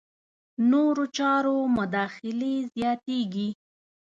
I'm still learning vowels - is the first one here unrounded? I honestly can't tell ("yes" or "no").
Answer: no